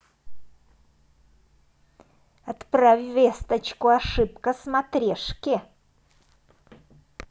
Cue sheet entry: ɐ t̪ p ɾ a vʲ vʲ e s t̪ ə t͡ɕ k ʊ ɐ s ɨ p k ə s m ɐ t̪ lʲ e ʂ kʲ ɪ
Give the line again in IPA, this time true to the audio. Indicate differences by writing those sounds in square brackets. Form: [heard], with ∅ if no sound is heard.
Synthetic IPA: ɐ t̪ p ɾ a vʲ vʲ e s t̪ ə t͡ɕ k ʊ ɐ [ʂ] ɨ p k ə s m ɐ t̪ [ɾʲ] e ʂ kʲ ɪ